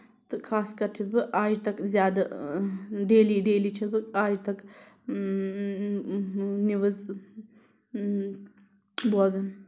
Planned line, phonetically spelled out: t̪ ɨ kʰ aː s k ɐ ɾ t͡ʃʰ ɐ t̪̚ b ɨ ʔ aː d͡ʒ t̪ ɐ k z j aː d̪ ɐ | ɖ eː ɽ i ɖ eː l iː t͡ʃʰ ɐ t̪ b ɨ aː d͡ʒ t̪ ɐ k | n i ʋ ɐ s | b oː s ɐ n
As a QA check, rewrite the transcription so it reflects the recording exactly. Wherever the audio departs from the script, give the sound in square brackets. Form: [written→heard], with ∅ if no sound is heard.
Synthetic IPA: t̪ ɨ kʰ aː s k ɐ ɾ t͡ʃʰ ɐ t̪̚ b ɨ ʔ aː d͡ʒ t̪ ɐ k z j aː d̪ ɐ | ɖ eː [ɽ→l] i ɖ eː l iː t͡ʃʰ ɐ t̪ b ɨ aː d͡ʒ t̪ ɐ k | n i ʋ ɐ [s→z] | b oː [s→z] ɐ n